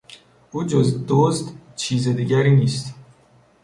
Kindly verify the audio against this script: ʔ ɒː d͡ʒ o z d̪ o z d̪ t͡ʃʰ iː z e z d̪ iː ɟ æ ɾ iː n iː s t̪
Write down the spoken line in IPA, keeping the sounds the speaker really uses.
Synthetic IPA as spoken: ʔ uː d͡ʒ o z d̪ o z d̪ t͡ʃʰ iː z e d̪ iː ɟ æ ɾ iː n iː s t̪